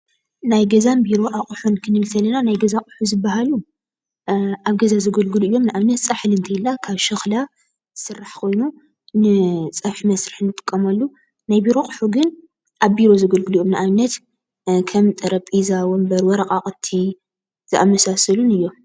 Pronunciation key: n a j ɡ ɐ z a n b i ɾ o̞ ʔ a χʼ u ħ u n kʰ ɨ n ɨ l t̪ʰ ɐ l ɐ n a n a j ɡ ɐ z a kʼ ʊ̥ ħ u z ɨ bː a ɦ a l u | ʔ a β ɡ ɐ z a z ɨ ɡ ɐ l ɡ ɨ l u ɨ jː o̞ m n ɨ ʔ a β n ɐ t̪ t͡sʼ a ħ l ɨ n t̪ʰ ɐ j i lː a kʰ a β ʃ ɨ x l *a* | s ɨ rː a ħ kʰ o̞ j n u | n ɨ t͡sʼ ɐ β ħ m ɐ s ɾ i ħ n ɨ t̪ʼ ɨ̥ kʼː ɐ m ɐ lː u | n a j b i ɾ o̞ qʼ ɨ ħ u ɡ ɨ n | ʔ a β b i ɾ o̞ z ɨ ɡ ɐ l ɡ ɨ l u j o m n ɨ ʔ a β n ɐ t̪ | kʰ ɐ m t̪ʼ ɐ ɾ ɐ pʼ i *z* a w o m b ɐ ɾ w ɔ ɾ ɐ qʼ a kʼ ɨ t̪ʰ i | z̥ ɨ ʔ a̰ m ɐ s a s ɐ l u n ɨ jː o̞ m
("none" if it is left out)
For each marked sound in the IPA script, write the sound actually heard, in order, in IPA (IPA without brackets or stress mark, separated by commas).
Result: a, z